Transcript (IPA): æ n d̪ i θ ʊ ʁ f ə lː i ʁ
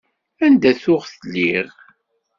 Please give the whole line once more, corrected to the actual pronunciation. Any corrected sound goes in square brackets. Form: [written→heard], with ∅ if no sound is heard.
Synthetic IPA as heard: æ n d̪ [i→æ] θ ʊ ʁ [f→θ] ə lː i ʁ